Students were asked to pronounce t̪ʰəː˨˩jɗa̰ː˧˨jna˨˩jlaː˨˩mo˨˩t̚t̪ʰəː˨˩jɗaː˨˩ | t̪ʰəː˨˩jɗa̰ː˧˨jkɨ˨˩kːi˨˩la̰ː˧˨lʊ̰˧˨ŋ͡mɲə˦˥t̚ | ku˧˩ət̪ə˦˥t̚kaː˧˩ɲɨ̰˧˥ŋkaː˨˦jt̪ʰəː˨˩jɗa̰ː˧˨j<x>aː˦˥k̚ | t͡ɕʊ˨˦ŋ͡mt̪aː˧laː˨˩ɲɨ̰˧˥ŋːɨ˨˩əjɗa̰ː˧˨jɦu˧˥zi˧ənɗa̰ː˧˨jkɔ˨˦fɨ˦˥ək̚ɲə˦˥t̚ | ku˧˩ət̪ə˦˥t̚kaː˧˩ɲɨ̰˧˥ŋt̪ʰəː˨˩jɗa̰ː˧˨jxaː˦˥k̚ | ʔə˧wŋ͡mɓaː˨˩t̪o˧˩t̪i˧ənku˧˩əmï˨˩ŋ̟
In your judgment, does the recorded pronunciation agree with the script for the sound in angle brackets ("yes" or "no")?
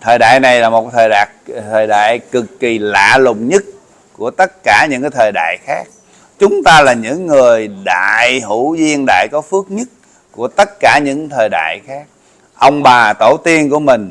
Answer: yes